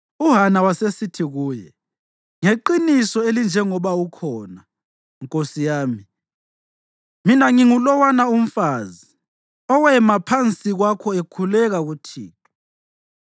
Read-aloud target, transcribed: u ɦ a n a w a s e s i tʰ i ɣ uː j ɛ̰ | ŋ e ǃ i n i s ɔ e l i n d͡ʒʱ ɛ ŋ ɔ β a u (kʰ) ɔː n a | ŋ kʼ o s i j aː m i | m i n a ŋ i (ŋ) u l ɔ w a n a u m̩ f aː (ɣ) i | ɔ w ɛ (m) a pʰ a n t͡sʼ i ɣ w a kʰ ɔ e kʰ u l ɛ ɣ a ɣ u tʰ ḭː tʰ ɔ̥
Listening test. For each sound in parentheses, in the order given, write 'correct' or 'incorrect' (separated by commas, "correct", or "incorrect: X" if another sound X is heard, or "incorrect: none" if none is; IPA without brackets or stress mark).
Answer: correct, correct, incorrect: z, correct